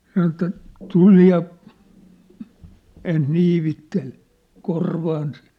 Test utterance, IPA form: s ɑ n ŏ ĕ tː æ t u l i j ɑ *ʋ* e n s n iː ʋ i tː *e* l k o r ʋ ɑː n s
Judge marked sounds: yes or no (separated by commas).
no, yes